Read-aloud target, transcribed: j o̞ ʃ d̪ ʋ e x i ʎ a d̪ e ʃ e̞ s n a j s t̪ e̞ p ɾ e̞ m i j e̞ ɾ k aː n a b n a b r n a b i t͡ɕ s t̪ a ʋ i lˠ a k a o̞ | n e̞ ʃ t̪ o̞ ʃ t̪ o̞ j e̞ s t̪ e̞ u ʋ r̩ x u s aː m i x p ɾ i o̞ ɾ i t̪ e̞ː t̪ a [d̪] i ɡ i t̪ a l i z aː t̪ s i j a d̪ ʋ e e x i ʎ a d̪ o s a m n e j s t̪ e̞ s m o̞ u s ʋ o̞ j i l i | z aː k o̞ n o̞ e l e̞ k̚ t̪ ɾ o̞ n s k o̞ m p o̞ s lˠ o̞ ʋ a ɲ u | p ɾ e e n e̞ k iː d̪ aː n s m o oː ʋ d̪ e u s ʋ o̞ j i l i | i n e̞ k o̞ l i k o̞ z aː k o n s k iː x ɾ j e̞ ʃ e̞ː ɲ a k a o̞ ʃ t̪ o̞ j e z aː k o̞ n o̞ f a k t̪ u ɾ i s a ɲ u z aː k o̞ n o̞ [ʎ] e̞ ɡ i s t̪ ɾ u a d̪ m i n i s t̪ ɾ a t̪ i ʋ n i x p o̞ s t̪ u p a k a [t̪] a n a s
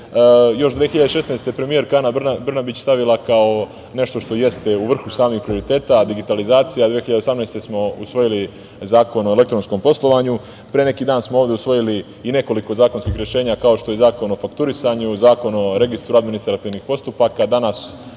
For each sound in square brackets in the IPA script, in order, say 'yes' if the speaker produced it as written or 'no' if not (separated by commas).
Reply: yes, no, no